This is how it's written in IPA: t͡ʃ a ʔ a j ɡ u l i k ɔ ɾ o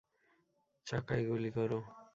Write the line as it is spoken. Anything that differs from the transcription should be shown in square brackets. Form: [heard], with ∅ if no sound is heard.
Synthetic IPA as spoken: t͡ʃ a [k] a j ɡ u l i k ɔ ɾ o

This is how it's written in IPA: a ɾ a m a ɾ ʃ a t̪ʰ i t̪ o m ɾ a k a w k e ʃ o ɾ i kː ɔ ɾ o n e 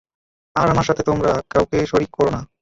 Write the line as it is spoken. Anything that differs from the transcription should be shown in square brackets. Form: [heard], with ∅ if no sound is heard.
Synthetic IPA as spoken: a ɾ a m a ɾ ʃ a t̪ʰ [e] t̪ o m ɾ a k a w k e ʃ o ɾ i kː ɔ ɾ o n [a]

